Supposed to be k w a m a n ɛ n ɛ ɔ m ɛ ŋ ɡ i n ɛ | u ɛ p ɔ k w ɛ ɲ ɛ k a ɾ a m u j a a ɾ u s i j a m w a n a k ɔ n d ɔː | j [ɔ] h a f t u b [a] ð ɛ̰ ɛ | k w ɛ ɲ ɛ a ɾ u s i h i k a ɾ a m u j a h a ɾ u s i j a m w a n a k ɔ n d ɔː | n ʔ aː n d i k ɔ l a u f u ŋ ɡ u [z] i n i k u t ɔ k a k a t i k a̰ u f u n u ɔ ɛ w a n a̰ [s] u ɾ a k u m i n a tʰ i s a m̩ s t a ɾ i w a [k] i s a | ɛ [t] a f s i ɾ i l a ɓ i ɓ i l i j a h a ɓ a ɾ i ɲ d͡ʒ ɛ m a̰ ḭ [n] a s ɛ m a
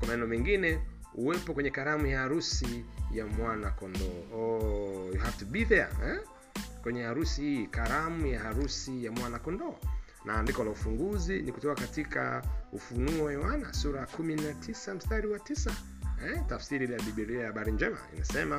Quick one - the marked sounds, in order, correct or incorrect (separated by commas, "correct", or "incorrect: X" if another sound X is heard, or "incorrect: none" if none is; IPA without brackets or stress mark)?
incorrect: u, incorrect: i, correct, correct, incorrect: t, correct, correct